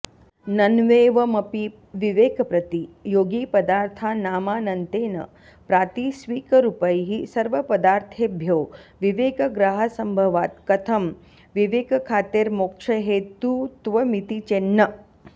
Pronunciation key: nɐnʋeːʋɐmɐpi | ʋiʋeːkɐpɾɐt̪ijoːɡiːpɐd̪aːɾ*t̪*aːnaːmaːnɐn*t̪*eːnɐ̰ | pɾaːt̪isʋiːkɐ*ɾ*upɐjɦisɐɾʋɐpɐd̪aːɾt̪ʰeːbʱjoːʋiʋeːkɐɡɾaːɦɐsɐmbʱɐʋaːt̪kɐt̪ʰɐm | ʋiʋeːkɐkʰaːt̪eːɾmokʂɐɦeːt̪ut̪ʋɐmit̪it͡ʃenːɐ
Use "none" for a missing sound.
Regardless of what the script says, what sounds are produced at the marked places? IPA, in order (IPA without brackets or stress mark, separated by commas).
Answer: t̪ʰ, t̪, ɾ